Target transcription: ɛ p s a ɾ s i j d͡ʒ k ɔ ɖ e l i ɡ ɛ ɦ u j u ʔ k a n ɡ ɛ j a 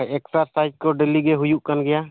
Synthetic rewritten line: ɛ k s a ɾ s a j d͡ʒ k ɔ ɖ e l i ɡ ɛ ɦ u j u ʔ k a n ɡ ɛ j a